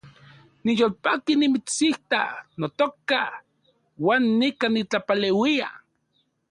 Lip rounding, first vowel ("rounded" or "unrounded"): unrounded